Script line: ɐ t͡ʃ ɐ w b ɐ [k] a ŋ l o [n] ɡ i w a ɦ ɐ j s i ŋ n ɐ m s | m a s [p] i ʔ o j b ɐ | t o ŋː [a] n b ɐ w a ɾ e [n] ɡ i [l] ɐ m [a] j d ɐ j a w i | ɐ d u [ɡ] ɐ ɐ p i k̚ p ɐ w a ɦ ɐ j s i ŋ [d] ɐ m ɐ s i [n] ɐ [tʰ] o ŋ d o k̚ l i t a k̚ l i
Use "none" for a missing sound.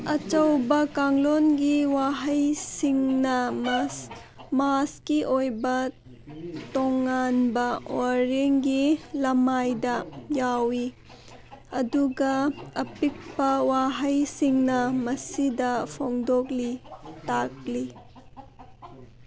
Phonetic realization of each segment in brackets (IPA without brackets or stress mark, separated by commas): k, n, k, a, ŋ, l, a, ɡ, n, d, pʰ